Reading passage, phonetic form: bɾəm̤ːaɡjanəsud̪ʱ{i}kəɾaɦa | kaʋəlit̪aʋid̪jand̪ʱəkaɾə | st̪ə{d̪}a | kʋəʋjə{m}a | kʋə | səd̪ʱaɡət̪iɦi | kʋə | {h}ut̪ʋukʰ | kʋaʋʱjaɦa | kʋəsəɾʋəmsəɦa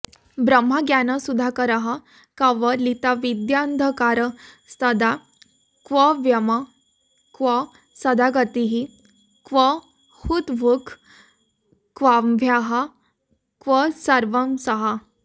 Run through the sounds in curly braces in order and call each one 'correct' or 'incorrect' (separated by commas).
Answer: incorrect, correct, correct, correct